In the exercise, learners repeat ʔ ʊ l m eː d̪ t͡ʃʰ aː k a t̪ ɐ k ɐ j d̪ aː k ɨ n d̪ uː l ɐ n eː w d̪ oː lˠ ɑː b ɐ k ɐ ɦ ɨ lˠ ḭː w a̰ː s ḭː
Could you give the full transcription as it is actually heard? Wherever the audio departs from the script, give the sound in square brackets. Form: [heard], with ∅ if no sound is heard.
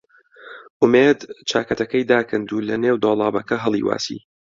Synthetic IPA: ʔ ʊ [∅] m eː d̪ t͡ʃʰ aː k [ɐ] t̪ ɐ k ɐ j d̪ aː k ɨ n d̪ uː l ɐ n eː w d̪ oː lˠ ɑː b ɐ k ɐ ɦ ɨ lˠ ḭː w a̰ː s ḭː

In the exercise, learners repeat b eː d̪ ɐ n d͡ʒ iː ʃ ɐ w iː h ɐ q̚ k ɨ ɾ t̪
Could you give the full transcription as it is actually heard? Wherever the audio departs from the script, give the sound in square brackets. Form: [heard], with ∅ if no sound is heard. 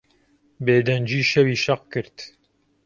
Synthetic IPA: b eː d̪ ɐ n d͡ʒ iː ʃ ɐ w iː [ʃ] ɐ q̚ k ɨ ɾ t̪

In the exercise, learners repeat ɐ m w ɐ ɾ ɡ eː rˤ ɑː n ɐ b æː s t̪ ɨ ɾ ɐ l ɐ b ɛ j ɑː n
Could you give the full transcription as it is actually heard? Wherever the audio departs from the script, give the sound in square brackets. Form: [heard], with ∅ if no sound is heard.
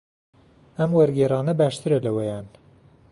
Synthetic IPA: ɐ m w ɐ ɾ ɡ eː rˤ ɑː n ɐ b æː [ʃ] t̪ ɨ ɾ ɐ l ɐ [w] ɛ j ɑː n

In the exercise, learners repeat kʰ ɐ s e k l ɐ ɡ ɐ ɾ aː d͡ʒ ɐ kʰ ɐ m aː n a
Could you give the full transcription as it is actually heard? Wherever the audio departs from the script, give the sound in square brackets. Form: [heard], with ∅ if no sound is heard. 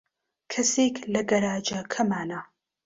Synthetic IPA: kʰ ɐ s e k l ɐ ɡ ɐ ɾ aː d͡ʒ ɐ kʰ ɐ m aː n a

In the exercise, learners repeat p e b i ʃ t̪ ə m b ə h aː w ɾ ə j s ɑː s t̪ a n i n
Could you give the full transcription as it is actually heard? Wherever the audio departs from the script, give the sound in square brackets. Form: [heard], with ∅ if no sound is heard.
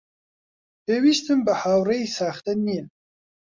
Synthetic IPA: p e [w] i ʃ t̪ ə m b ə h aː w ɾ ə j s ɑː [x] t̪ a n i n

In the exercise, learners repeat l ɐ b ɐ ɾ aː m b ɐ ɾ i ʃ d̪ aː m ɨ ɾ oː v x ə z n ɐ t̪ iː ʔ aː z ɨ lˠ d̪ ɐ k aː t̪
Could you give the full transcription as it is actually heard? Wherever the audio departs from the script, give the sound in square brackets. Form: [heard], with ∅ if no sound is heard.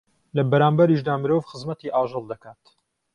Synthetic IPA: l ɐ b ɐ ɾ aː m b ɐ ɾ i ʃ d̪ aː m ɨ ɾ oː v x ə z [m] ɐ t̪ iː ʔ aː [ʒ] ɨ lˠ d̪ ɐ k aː t̪

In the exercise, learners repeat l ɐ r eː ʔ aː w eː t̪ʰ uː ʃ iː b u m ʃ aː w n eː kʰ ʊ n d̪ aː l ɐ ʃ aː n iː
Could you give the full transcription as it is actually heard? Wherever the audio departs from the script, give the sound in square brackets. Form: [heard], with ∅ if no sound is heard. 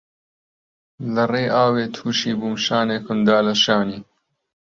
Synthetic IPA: l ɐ r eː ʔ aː w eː t̪ʰ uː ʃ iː b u m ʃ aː [∅] n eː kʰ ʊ n d̪ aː l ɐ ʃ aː n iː

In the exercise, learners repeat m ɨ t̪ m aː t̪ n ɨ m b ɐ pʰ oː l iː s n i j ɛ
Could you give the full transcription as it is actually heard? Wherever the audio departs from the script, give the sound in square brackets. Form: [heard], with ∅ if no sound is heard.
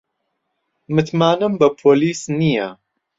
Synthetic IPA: m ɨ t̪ m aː [∅] n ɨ m b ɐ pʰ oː l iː s n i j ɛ

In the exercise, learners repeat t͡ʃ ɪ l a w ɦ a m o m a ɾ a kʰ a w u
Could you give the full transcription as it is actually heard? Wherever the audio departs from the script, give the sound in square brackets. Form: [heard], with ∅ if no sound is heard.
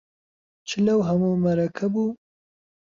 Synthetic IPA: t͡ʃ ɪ l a w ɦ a m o m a ɾ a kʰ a [b] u

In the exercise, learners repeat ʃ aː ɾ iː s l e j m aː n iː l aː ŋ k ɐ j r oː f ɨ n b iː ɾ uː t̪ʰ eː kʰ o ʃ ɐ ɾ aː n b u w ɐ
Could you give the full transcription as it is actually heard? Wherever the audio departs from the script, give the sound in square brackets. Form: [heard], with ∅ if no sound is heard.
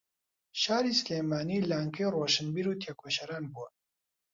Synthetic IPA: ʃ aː ɾ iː s l e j m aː n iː l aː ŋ k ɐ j r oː [ʃ] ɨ n b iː ɾ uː t̪ʰ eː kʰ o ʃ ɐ ɾ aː n b u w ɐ

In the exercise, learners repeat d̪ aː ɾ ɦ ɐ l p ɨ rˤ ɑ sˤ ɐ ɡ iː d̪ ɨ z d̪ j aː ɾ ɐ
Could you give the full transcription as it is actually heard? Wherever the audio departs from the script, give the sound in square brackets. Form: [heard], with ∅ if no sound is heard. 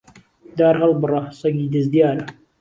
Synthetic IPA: d̪ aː ɾ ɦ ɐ l [b] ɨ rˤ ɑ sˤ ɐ ɡ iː d̪ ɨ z d̪ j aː ɾ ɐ

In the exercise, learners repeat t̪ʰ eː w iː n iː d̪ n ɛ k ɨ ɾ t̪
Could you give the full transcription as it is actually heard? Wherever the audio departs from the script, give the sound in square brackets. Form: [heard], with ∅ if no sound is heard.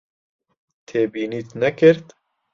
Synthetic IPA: t̪ʰ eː [b] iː n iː [t̪] n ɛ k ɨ ɾ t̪

